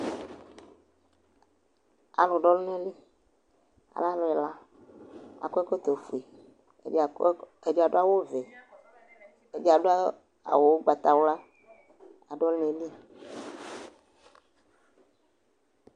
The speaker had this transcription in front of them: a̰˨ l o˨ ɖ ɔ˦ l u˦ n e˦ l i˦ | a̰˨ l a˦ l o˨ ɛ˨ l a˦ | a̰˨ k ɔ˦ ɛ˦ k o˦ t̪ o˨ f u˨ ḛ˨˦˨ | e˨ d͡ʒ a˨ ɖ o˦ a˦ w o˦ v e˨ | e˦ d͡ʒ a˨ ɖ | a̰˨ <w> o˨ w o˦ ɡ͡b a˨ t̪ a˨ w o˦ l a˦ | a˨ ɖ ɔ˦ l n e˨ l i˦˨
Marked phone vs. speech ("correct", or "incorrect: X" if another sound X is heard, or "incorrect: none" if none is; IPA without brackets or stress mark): correct